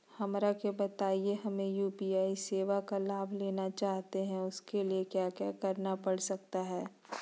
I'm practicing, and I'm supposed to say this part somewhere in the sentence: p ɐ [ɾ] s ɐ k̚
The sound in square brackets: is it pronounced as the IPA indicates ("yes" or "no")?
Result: no